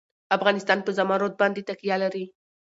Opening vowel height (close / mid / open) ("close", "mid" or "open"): open